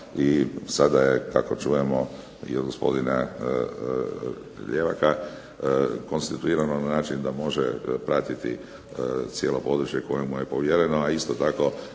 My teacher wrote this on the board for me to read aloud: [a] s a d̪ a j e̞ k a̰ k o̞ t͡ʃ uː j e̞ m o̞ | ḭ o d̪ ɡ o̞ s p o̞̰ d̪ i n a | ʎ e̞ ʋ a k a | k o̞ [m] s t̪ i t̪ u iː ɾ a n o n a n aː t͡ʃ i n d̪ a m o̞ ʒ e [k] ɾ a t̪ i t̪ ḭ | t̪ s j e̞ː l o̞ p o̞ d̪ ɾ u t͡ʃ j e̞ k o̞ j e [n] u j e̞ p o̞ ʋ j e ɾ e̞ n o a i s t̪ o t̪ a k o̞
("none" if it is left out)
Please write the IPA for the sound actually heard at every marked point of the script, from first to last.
i, n, p, m

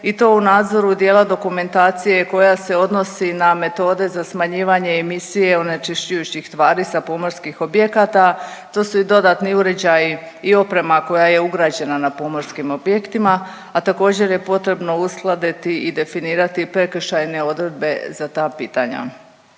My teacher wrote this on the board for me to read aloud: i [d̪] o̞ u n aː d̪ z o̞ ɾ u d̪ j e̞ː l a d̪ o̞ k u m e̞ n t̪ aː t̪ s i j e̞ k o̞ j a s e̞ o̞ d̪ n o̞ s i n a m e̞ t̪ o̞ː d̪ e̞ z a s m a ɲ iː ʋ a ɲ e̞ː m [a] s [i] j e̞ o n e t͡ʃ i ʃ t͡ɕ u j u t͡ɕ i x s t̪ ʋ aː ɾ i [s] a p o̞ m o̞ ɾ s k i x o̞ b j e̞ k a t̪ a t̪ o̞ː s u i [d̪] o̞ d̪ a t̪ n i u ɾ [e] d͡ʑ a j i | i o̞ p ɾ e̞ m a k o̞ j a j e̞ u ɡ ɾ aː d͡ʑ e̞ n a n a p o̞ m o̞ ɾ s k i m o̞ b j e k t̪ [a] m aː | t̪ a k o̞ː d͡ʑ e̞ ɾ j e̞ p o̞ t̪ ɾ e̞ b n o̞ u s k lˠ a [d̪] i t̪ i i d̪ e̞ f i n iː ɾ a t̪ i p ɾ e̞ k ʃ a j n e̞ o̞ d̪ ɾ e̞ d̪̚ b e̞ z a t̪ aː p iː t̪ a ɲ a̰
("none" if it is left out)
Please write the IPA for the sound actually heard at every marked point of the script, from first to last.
t̪, i, i, s, d̪, e, i, d̪

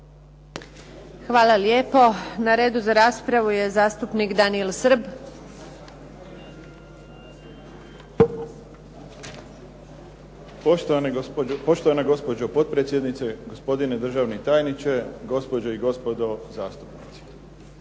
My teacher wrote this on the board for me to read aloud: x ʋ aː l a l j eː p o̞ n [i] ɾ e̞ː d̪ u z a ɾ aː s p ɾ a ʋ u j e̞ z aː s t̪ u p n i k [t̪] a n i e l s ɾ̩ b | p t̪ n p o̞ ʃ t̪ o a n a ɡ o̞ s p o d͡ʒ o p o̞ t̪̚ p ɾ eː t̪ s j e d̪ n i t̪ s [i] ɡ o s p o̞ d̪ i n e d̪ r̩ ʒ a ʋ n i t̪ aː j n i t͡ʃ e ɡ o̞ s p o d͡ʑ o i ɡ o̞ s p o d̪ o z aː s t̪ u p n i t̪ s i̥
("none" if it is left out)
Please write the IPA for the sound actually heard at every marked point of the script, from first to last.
a, d̪, e

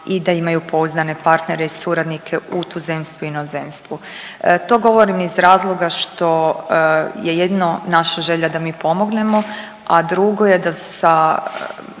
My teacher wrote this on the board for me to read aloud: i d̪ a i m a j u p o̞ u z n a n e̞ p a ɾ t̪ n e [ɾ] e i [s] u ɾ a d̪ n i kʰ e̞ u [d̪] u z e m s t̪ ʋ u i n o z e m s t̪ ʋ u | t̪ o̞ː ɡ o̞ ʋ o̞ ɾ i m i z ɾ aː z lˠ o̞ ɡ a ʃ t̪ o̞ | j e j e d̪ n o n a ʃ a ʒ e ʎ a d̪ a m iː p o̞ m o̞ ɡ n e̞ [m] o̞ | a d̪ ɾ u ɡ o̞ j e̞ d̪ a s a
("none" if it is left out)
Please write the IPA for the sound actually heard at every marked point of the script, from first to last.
ɾ, s, t̪, m

